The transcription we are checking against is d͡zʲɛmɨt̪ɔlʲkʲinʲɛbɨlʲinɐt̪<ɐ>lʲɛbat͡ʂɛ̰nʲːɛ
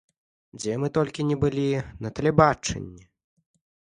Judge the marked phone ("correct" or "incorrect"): correct